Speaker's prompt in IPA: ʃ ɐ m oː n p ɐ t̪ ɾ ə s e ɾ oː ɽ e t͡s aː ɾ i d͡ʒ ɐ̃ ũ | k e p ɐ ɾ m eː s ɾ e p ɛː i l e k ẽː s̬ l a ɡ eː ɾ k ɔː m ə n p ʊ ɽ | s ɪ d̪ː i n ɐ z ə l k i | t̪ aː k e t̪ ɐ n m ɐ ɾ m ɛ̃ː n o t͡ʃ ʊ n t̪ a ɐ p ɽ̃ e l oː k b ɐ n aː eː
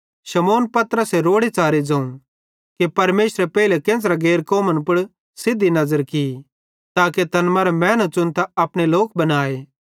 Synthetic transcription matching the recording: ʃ ɐ m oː n p ɐ t̪ ɾ ə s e ɾ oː ɽ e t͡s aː ɾ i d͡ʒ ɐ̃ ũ | k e p ɐ ɾ m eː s ɾ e p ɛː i l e k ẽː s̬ ɾ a ɡ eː ɾ k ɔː m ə n p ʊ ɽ | s ɪ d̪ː i n ɐ z ə ɾ k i | t̪ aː k e t̪ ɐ n m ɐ ɾ m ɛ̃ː n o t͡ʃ ʊ n t̪ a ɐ p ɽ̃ e l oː k b ɐ n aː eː

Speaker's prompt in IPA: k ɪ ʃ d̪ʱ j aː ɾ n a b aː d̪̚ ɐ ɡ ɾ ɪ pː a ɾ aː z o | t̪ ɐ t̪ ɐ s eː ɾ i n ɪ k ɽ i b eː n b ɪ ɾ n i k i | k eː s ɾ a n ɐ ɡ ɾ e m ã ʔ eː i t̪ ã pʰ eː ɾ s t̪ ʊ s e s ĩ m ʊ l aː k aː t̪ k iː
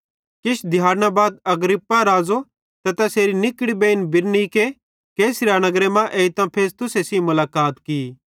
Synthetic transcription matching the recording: k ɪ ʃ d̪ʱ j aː ɾ n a b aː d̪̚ ɐ ɡ ɾ ɪ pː a ɾ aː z o | t̪ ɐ t̪ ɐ s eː ɾ i n ɪ k ɽ i b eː n b ɪ ɾ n i k e | k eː s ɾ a n ɐ ɡ ɾ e m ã ʔ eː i t̪ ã pʰ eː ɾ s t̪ ʊ s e s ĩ m ʊ l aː k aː t̪ k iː

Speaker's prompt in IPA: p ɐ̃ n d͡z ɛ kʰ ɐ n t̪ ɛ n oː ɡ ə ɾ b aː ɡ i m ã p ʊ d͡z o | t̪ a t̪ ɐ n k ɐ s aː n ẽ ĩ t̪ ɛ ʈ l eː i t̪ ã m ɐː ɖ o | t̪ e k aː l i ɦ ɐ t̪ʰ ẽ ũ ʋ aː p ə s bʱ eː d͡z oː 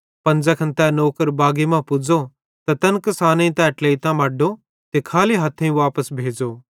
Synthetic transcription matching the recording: p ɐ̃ n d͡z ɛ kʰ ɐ n t̪ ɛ n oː k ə ɾ b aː ɡ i m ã p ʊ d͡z o | t̪ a t̪ ɐ n k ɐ s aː n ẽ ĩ t̪ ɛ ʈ l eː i t̪ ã m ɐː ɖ o | t̪ e kʰ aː l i ɦ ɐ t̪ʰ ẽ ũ ʋ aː p ə s bʱ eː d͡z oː

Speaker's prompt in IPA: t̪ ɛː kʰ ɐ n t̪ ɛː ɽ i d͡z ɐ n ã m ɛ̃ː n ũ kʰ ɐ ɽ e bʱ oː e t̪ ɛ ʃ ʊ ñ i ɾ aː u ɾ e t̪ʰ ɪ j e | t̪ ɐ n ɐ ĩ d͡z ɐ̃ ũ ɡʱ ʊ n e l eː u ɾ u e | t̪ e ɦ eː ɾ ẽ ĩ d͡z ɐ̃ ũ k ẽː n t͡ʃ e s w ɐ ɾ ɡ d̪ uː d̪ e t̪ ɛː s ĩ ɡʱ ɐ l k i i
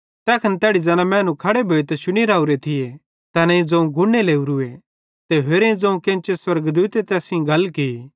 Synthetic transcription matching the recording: t̪ ɛː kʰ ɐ n t̪ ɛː ɽ i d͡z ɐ n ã m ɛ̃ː n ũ kʰ ɐ ɽ e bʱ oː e t̪ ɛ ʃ ʊ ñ i ɾ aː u ɾ e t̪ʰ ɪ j e | t̪ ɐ n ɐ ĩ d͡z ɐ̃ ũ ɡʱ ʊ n e l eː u ɾ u e | t̪ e ɦ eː ɾ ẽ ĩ d͡z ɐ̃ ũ k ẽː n t͡ʃ e s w ɐ ɾ ɡ d̪ uː t̪ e t̪ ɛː s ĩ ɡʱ ɐ l k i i

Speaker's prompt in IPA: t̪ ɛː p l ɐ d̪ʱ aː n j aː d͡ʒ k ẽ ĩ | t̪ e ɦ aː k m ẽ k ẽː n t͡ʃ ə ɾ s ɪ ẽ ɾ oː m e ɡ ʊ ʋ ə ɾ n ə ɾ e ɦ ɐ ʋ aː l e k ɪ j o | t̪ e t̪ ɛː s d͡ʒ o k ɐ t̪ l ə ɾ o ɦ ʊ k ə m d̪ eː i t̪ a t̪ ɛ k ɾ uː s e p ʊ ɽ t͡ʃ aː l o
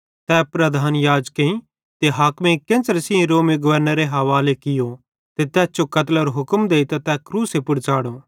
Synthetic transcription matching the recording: t̪ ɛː p ɾ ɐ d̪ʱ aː n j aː d͡ʒ k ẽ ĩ | t̪ e ɦ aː k m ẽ k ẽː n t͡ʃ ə ɾ s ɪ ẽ ɾ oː m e ɡ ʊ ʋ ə ɾ n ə ɾ e ɦ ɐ ʋ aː l e k ɪ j o | t̪ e t̪ ɛː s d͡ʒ o k ɐ t̪ l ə ɾ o ɦ ʊ k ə m d̪ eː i t̪ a t̪ ɛ k ɾ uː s e p ʊ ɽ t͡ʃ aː ɽ o

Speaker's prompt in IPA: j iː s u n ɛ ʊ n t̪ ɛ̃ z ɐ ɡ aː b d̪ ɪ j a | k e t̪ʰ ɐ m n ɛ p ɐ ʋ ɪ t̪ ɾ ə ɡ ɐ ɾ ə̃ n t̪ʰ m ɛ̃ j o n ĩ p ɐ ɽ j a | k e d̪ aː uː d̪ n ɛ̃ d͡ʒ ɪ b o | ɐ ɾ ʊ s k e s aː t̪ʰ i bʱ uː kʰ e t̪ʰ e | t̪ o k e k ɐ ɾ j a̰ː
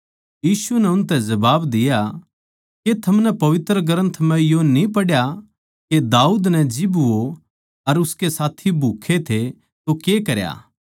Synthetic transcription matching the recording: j iː s u n ɛ ʊ n t̪ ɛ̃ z ɐ b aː b d̪ ɪ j a | k e t̪ʰ ɐ m n ɛ p ɐ ʋ ɪ t̪ ɾ ə ɡ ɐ ɾ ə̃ n t̪ʰ m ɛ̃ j o n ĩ p ɐ ɽ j a | k e d̪ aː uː d̪ n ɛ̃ d͡ʒ ɪ b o | ɐ ɾ ʊ s k e s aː t̪ʰ i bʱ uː kʰ e t̪ʰ e | t̪ o k e k ɐ ɾ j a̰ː

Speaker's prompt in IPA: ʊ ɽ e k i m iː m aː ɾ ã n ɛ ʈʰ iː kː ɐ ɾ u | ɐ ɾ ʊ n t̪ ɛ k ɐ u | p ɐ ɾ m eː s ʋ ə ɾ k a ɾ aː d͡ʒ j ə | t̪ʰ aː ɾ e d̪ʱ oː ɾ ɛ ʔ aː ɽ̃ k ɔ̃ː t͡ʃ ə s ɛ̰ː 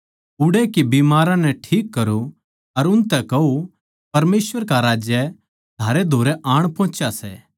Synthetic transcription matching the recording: ʊ ɽ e k i b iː m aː ɾ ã n ɛ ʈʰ iː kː ɐ ɾ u | ɐ ɾ ʊ n t̪ ɛ k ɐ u | p ɐ ɾ m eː s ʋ ə ɾ k a ɾ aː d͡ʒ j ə | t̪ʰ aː ɾ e d̪ʱ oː ɾ ɛ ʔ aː ɽ̃ p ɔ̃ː t͡ʃ a s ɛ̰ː

